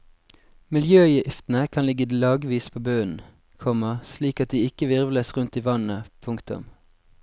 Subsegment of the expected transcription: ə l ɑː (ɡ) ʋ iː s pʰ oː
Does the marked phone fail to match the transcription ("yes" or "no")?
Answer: no